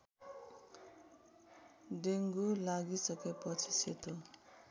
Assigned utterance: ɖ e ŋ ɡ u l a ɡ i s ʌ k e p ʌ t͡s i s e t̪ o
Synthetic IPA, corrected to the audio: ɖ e ŋ ɡ u l a ɡ i s ʌ k e p ʌ t͡sʰ i s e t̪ o

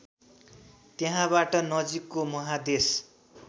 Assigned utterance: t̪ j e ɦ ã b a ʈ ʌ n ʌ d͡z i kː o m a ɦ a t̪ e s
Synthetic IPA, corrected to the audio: t̪ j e ɦ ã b a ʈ ʌ n ʌ d͡z i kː o m ʌ ɦ a d̪ e s

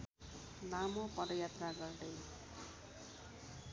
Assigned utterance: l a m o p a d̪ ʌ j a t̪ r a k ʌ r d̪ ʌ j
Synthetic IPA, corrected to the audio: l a m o p ʌ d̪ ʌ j a t̪ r a ɡ ʌ r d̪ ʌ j

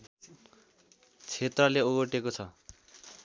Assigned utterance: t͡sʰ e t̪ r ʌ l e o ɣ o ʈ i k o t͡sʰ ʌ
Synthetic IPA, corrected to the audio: t͡sʰ e t̪ r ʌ l e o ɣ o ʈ e k o t͡sʰ ʌ

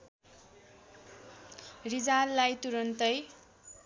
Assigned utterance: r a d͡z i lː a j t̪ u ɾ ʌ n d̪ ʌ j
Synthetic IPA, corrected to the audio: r i d͡z a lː a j t̪ u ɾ ʌ n t̪ ʌ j

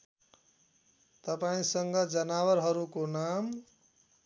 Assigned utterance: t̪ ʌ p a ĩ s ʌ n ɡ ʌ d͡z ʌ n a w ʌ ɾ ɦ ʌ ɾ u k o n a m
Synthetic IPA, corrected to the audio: t̪ ʌ p a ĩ s ʌ ŋ ɡ ʌ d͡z ʌ n a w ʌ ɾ ɦ ʌ ɾ u k o n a m

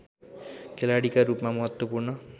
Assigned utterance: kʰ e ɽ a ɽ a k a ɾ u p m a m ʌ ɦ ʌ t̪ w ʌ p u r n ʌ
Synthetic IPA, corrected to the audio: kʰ e l a ɽ i k a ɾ u p m a m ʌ ɦ ʌ t̪ w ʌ p u r n ʌ

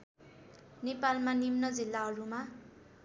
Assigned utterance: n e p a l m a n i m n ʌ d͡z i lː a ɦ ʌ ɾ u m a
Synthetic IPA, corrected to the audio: n e p a l m a n i m n ʌ d͡z i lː a ɦ ʌ ɾ u m a

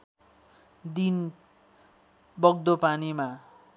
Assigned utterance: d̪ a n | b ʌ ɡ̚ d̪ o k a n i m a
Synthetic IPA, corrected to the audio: d̪ i n | b ʌ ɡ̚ d̪ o p a n i m a

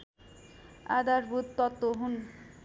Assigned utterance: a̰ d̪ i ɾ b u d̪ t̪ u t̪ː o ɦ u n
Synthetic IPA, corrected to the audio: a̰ d̪ a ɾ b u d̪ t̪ ɔ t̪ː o ɦ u n

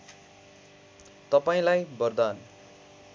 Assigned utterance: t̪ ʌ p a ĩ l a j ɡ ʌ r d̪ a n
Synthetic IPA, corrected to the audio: t̪ ʌ p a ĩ l a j b ʌ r d̪ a n

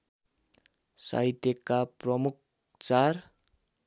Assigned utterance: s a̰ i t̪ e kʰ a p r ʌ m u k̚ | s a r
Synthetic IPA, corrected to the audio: s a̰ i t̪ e k a p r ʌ m u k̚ | t͡s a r

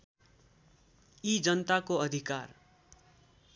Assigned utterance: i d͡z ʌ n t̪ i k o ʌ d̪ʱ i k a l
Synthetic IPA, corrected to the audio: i d͡z ʌ n t̪ a k o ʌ d̪ʱ i k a r

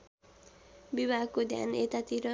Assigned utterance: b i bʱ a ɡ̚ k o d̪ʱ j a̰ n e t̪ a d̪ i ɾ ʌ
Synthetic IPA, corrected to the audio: b i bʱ a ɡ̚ k o d̪ʱ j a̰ n e t̪ a t̪ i ɾ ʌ

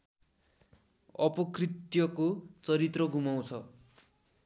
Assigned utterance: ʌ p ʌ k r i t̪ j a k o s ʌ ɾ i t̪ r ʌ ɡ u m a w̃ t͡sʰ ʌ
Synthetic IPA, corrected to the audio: ʌ p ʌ k r i t̪ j ʌ k o t͡s ʌ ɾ i t̪ r ʌ ɡ u m a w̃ t͡sʰ ʌ

